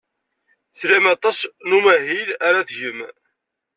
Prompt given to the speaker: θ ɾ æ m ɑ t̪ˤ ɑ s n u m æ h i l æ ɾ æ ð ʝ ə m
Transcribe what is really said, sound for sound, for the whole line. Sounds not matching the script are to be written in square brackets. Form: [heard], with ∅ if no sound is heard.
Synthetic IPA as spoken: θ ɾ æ m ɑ t̪ˤ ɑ s n u m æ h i l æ ɾ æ [θ] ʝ ə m